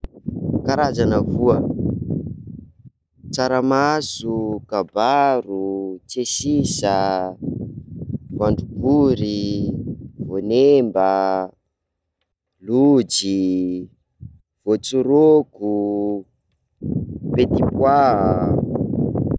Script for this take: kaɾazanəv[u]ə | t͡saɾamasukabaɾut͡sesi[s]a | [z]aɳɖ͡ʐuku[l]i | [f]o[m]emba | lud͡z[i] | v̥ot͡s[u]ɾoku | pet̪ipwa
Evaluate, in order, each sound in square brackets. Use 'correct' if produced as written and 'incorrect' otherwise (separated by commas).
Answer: correct, correct, incorrect, incorrect, incorrect, incorrect, correct, correct